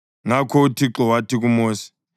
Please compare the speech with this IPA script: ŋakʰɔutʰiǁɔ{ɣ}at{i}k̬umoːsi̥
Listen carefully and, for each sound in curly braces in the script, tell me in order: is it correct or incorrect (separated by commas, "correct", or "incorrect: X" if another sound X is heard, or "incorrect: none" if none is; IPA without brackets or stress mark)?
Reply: incorrect: w, correct